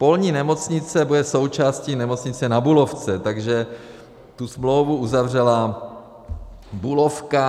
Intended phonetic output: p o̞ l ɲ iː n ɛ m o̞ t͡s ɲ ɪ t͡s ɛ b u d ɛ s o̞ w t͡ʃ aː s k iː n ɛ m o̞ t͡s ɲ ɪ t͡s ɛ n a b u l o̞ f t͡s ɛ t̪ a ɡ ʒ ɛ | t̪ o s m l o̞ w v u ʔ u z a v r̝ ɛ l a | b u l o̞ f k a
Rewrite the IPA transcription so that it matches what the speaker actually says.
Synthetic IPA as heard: p o̞ l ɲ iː n ɛ m o̞ t͡s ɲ ɪ t͡s ɛ b u d ɛ s o̞ w t͡ʃ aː s c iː n ɛ m o̞ t͡s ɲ ɪ t͡s ɛ n a b u l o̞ f t͡s ɛ t̪ a ɡ ʒ ɛ | t̪ u s m l o̞ w v u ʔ u z a v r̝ ɛ l a | b u l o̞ f k a

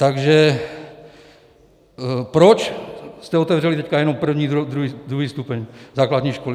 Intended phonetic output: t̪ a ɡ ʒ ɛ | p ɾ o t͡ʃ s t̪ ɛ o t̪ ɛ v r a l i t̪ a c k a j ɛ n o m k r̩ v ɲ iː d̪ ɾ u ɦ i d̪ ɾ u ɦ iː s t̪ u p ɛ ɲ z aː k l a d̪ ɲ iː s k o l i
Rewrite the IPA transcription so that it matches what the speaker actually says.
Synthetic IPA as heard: t̪ a ɡ ʒ ɛ | p ɾ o t͡ʃ s t̪ ɛ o t̪ ɛ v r ɛ l i t̪ ɛ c k a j ɛ n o m p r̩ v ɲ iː d̪ ɾ u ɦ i d̪ ɾ u ɦ iː s t̪ u p ɛ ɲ z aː k l a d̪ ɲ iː ʃ k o l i

